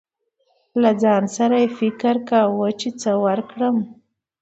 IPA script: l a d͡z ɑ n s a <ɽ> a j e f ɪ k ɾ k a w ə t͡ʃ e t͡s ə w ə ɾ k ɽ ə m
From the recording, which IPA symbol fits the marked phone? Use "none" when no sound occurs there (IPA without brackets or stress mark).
ɾ